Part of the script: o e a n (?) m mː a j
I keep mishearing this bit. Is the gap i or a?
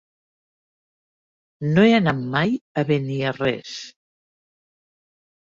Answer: a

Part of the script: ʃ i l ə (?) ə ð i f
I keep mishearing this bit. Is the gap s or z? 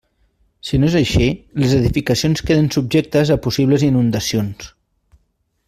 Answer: z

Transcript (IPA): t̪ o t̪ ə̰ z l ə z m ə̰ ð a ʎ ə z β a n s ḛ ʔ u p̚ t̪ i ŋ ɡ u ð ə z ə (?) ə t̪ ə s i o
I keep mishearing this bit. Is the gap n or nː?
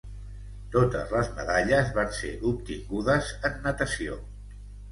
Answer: nː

